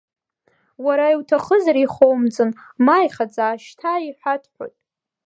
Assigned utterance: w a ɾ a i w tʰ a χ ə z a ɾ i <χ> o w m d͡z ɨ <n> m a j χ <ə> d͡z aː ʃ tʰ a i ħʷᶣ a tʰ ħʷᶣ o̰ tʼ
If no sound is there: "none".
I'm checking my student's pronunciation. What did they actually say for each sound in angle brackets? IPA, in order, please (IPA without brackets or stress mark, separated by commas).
χ, n, a